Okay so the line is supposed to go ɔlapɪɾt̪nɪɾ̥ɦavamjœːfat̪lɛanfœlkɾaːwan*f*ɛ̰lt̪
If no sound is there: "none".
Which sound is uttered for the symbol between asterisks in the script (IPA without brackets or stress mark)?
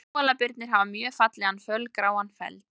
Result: f